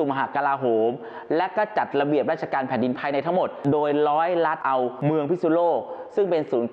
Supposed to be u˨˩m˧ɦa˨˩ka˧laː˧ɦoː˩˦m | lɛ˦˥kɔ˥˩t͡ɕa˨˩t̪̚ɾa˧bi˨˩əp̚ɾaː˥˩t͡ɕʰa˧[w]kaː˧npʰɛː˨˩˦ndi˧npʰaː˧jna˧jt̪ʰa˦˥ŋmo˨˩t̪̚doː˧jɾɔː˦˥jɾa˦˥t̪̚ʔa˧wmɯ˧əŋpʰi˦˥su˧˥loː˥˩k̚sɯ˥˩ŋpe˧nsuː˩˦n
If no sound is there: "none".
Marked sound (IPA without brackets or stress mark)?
none